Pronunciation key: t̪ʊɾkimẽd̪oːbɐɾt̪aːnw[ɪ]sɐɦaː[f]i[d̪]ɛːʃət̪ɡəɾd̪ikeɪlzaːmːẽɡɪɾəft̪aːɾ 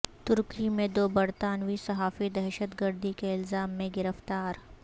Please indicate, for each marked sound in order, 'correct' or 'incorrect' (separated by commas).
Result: incorrect, correct, correct